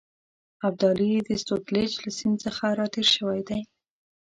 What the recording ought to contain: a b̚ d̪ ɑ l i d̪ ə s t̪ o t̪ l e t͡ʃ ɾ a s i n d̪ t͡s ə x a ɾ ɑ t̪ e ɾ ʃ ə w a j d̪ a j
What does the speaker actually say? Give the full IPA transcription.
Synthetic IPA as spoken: a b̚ d̪ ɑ l i d̪ ə s t̪ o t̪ l e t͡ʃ l a s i n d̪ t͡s ə x a ɾ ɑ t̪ e ɾ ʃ ə w a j d̪ a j